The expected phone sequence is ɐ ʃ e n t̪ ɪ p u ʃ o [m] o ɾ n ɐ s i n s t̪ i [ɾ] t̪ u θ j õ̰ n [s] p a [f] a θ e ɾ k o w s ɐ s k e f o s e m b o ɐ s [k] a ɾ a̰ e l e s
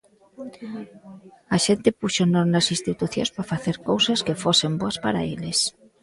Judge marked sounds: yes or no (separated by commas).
no, no, yes, yes, no